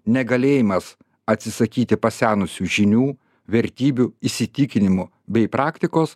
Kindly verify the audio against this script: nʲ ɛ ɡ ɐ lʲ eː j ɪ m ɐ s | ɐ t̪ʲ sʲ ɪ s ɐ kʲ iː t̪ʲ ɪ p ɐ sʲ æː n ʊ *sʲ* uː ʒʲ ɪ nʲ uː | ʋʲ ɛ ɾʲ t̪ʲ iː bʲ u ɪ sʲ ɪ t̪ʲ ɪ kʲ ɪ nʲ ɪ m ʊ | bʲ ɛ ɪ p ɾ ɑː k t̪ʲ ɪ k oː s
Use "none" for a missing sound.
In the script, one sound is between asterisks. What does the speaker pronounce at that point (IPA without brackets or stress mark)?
sʲ